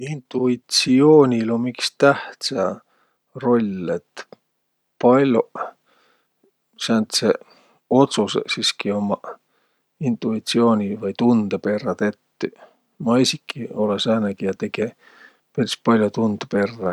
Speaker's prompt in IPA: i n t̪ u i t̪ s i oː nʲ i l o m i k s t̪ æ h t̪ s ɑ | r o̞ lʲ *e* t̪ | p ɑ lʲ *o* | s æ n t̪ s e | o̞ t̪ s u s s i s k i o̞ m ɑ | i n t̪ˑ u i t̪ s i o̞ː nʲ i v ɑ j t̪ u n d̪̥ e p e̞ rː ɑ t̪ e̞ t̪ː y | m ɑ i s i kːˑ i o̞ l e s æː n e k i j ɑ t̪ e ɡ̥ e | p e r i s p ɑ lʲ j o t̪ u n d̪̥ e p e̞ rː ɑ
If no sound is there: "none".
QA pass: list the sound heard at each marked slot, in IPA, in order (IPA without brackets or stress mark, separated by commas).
e, o